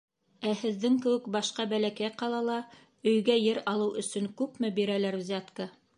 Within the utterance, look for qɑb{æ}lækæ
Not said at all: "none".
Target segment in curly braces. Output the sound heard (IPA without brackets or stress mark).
æ